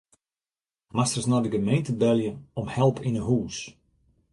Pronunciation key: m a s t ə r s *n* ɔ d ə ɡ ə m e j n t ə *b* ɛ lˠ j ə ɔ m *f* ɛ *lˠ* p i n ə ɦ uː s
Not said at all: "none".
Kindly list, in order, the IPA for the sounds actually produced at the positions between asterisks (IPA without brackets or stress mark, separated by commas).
n, b, h, lˠ